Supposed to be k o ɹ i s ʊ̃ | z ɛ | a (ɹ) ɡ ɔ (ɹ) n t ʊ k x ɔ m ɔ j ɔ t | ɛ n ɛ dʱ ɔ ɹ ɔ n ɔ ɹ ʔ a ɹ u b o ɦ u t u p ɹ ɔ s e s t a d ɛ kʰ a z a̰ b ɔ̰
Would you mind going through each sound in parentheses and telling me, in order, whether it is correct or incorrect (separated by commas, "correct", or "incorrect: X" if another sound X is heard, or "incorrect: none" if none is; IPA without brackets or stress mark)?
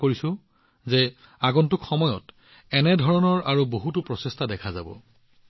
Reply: incorrect: none, incorrect: none